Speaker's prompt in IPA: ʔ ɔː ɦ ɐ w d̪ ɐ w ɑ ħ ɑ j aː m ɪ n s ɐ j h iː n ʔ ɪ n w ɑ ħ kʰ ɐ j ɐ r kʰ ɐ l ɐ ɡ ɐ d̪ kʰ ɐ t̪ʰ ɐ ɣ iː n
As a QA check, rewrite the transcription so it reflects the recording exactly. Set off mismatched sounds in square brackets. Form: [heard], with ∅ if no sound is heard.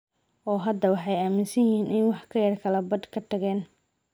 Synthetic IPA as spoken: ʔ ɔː ɦ ɐ [∅] d̪ ɐ w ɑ ħ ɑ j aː m ɪ n s ɐ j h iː n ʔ ɪ n w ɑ ħ kʰ ɐ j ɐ r kʰ ɐ l ɐ [b] ɐ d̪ kʰ ɐ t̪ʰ ɐ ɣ [ɛː] n